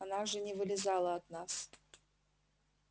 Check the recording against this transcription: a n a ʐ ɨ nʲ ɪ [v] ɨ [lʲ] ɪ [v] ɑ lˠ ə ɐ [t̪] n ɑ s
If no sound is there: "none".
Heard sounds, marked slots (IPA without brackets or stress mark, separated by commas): v, lʲ, z, t̪